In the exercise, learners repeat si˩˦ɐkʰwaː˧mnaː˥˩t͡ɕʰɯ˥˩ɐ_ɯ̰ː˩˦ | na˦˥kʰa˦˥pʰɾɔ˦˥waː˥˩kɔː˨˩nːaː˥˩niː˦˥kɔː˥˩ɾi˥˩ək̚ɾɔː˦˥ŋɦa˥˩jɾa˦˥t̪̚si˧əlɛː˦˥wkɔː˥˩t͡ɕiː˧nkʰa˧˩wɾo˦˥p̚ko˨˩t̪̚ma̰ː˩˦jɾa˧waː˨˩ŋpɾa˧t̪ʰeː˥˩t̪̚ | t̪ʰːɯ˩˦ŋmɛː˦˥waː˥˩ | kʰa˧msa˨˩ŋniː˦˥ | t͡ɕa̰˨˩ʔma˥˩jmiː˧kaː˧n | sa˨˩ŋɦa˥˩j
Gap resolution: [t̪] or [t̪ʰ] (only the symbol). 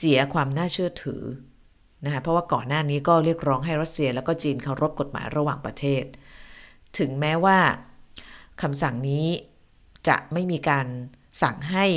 t̪ʰ